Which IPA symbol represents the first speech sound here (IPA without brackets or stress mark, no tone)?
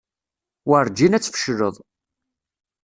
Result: w